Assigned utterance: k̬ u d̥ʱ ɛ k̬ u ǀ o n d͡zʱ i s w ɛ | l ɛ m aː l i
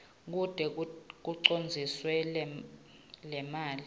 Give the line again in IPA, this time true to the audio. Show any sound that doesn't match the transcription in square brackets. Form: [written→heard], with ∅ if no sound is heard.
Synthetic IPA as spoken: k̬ u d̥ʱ ɛ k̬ u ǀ o n d͡zʱ i s w ɛ | l ɛ m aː l i

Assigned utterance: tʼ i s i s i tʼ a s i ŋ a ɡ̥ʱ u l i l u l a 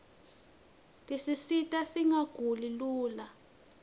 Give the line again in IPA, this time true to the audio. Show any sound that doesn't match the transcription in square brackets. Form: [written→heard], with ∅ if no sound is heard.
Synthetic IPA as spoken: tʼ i s i s i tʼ a s i ŋ a ɡ̥ʱ u l i l [u→uː] l a

